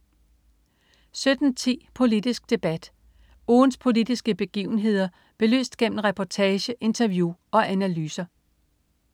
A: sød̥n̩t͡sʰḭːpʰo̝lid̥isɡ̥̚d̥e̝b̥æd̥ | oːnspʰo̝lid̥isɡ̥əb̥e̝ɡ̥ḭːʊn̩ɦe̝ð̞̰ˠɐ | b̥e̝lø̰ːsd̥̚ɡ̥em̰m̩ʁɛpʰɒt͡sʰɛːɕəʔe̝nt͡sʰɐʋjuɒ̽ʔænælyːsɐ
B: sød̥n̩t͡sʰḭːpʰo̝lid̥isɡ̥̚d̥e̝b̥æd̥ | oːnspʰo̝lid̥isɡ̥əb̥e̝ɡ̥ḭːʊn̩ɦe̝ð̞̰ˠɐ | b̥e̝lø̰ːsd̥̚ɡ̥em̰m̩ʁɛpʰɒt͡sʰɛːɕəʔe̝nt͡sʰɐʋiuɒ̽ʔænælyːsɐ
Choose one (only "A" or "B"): A